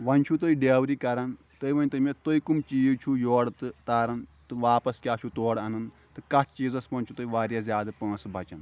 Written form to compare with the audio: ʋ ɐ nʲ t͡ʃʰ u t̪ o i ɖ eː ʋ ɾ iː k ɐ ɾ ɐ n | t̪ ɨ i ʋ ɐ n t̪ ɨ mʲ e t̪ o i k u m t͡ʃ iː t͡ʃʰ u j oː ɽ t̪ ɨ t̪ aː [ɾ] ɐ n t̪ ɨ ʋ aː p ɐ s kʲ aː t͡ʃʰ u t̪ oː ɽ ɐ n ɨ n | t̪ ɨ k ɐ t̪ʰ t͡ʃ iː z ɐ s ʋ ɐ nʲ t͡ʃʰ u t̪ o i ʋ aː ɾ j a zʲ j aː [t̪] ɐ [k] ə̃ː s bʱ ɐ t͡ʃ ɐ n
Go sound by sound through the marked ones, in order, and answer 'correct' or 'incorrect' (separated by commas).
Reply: correct, incorrect, incorrect